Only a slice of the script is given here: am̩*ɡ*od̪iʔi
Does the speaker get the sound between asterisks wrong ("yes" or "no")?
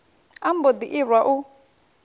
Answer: yes